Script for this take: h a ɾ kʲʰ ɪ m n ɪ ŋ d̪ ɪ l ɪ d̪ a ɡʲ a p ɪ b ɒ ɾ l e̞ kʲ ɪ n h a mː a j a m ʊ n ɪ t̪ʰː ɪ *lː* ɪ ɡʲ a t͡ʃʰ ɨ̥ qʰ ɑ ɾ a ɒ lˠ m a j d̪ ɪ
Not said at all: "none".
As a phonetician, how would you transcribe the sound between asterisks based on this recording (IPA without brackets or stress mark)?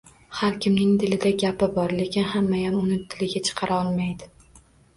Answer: l